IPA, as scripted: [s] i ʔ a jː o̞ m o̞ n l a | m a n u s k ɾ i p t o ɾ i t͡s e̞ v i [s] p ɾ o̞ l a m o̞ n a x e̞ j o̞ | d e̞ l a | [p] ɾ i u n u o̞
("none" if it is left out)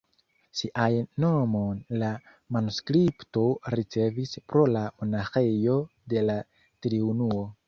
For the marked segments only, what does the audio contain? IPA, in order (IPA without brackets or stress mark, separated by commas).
s, s, t